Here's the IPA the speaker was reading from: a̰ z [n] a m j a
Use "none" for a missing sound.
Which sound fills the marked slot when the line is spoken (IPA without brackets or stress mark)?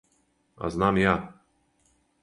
n